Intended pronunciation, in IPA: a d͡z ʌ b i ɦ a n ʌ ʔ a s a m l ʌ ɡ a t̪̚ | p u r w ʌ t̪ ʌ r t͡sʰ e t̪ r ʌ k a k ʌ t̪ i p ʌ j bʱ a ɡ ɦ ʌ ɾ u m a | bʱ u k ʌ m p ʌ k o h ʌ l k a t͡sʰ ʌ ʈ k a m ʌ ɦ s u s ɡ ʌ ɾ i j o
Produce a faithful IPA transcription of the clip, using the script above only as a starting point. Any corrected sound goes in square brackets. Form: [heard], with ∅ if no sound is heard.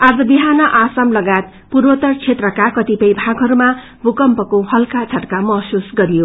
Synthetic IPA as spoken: a d͡z ʌ b i ɦ a n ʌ ʔ a s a m l ʌ ɡ a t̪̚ | p u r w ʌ t̪ ʌ r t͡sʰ e t̪ r ʌ k a k ʌ t̪ i p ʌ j bʱ a ɡ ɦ ʌ ɾ u m a | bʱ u k ʌ m p ʌ k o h ʌ l k a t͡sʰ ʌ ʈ k a m ʌ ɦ s u s ɡ ʌ ɾ i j o